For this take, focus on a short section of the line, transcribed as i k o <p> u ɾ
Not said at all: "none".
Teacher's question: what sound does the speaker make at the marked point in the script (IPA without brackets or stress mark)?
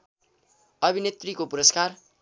p